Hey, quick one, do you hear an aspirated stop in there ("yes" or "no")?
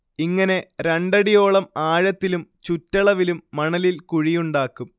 no